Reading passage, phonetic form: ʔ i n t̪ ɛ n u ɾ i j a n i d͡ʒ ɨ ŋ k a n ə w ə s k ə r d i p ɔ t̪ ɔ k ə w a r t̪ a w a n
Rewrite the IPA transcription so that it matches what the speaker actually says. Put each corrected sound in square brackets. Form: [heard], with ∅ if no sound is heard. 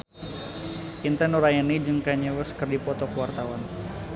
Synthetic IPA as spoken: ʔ i n t̪ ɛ n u ɾ [a] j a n i d͡ʒ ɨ ŋ k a [ɲ] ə w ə s k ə r d i p ɔ t̪ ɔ k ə w a r t̪ a w a n